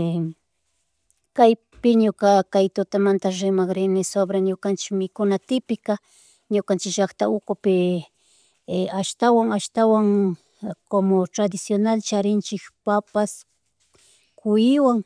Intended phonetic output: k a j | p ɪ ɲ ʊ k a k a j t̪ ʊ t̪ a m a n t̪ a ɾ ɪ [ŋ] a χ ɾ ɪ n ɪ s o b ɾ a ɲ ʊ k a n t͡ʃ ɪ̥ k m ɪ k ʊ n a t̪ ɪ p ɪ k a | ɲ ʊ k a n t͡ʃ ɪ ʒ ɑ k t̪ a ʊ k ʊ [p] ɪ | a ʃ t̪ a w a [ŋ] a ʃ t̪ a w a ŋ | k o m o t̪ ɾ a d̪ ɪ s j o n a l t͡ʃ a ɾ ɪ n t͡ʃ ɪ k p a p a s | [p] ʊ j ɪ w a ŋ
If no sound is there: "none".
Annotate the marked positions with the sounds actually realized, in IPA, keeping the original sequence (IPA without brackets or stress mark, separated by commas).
m, p, ŋ, k